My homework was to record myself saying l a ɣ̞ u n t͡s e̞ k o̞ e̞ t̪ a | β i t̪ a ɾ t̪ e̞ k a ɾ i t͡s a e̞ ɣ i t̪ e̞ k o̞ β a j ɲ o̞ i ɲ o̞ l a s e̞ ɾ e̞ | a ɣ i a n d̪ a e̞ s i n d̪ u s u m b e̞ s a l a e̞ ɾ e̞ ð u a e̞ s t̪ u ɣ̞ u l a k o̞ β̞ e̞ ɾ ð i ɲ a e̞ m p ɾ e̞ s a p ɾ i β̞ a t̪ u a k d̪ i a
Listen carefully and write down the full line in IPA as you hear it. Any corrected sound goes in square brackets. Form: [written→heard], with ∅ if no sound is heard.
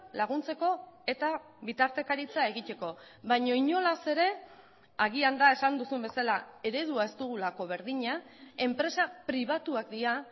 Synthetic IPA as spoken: l a ɣ̞ u n t͡s e̞ k o̞ e̞ t̪ a | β i t̪ a ɾ t̪ e̞ k a ɾ i t͡s a e̞ ɣ i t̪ e̞ k o̞ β a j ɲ o̞ i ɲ o̞ l a s e̞ ɾ e̞ | a ɣ i a n d̪ a e̞ s [i→a] n d̪ u s u m b e̞ s a l a e̞ ɾ e̞ ð u a e̞ s t̪ u ɣ̞ u l a k o̞ β̞ e̞ ɾ ð i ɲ a e̞ m p ɾ e̞ s a p ɾ i β̞ a t̪ u a k d̪ i a